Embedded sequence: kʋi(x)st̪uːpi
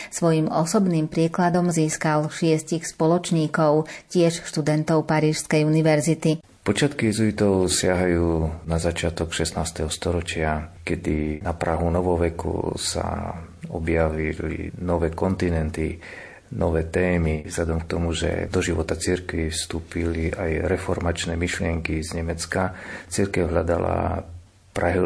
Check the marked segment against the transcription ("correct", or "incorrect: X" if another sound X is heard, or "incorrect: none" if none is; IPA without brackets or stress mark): incorrect: f